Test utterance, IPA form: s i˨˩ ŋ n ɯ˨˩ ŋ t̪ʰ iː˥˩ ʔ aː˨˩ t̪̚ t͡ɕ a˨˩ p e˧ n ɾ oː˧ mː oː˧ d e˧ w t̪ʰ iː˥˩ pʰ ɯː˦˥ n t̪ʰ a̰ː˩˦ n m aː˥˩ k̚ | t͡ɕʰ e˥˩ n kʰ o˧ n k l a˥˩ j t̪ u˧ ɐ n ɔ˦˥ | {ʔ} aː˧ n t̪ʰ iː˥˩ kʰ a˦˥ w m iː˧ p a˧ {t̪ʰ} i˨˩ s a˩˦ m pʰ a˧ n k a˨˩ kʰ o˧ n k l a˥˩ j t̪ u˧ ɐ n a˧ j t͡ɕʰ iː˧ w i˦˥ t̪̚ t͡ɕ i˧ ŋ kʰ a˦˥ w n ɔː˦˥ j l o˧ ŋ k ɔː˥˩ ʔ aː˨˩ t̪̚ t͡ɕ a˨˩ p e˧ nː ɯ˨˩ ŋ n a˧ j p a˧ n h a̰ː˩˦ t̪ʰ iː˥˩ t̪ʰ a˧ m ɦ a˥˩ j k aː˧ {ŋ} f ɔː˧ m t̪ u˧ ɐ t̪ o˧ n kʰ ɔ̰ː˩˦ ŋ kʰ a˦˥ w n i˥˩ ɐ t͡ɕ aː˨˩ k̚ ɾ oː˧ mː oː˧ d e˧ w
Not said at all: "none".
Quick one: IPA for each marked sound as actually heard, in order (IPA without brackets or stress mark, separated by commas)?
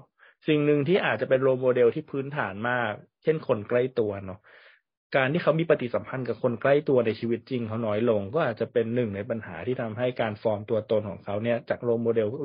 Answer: k, t̪, n